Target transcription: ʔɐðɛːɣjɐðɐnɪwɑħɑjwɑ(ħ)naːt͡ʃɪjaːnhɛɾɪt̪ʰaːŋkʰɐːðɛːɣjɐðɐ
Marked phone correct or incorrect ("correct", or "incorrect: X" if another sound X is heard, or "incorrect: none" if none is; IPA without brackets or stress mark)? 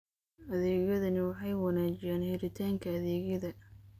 incorrect: none